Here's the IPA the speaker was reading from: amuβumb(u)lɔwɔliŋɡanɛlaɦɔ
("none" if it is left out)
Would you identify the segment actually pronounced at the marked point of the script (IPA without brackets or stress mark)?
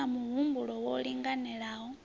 u